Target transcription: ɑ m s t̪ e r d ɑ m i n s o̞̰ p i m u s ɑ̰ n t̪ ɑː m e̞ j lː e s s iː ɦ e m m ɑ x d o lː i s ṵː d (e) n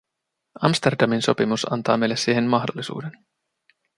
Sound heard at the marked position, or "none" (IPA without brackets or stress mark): e